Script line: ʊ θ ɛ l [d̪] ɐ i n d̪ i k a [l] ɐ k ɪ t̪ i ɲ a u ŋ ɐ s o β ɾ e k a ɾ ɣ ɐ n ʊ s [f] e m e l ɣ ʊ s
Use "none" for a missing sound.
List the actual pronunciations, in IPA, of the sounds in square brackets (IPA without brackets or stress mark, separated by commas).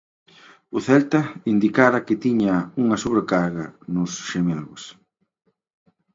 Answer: t̪, ɾ, ʃ